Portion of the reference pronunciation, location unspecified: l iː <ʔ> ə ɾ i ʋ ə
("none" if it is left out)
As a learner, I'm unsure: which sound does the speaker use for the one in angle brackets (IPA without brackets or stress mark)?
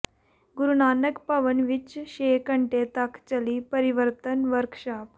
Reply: p